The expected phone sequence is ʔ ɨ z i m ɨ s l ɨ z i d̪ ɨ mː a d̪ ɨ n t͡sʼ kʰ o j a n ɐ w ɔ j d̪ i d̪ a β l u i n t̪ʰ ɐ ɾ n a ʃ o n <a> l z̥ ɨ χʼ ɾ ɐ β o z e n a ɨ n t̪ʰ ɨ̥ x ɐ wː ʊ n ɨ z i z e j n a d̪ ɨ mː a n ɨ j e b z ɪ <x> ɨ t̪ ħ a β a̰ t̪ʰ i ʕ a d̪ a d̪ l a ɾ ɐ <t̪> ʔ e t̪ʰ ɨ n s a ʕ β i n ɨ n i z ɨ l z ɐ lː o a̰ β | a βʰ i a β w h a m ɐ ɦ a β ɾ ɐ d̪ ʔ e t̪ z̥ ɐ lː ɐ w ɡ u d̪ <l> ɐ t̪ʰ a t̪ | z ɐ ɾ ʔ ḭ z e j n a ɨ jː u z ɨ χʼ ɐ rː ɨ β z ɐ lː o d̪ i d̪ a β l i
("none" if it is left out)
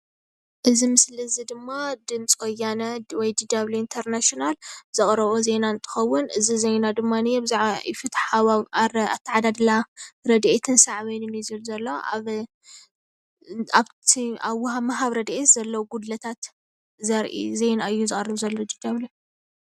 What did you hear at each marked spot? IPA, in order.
a, f, d̪, l

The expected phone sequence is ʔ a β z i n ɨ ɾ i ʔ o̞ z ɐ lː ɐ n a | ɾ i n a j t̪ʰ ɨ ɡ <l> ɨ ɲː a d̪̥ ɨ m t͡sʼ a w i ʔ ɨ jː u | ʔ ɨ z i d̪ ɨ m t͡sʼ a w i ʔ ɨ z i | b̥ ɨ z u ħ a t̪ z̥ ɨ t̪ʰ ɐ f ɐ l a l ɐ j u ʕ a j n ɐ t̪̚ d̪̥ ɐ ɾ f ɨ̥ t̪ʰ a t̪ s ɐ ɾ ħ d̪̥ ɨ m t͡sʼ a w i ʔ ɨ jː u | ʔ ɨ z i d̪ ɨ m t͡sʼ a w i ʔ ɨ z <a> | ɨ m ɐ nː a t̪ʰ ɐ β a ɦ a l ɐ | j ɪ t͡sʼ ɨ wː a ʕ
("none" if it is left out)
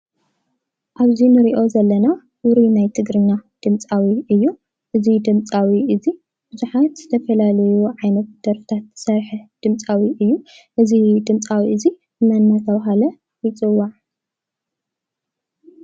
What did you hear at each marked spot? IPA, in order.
ɾ, i

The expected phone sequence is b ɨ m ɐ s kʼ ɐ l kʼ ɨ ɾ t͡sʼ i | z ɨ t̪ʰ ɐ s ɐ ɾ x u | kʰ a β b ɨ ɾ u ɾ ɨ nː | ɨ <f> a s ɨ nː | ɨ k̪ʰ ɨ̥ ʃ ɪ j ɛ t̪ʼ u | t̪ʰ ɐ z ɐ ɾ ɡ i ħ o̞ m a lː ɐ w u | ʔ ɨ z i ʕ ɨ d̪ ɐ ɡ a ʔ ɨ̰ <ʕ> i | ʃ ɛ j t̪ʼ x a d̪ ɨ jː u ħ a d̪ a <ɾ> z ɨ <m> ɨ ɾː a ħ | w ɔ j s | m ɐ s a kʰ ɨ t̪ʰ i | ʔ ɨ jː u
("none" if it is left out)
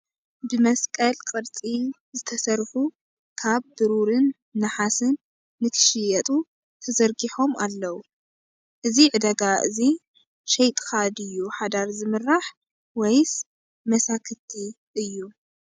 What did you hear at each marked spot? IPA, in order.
ħ, z, ɾ, m

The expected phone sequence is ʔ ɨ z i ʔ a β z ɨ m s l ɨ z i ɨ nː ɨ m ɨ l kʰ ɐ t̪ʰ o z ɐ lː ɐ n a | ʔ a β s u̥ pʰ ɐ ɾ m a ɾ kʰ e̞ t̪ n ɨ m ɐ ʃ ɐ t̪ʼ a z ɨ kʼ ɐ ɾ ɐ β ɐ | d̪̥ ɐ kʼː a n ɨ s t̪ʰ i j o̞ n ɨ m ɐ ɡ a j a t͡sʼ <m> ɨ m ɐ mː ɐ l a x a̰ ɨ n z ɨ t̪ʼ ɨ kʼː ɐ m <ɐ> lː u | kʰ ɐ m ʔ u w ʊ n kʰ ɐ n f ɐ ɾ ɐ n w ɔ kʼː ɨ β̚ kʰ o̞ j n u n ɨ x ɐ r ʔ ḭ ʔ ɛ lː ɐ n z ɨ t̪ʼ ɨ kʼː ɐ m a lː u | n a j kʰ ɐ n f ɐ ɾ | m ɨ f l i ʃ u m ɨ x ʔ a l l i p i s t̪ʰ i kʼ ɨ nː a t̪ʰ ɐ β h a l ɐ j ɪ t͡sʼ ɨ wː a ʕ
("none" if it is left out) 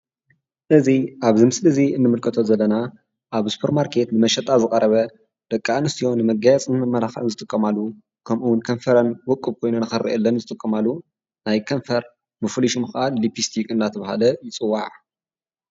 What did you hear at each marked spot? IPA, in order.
n, a

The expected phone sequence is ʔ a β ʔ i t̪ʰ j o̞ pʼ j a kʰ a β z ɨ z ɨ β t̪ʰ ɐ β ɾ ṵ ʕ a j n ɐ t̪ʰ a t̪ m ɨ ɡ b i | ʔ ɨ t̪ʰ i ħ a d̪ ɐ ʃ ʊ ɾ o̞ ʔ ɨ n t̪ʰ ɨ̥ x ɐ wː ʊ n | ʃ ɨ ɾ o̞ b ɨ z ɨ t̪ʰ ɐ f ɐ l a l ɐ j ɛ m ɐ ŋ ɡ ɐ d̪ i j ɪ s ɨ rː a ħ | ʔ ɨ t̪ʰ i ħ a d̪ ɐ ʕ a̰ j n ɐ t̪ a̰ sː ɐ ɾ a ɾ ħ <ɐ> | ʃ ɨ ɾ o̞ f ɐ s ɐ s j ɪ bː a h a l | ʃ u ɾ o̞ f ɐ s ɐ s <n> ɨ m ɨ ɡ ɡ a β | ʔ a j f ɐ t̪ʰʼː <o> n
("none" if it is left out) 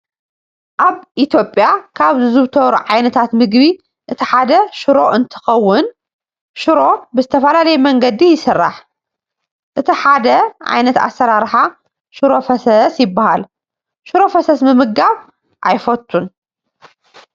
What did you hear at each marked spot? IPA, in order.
a, m, u

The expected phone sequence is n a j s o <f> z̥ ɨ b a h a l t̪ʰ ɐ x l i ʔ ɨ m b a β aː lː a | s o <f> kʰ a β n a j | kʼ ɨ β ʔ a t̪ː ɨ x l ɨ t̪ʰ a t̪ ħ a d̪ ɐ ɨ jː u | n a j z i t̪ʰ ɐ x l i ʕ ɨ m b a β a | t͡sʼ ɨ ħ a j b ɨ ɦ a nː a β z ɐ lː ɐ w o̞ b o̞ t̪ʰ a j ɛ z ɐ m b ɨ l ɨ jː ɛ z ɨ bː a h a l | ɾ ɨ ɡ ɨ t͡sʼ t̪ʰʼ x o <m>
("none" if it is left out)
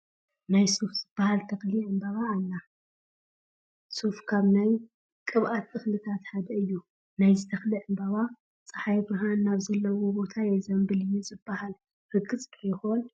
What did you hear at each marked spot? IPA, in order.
f, f, n

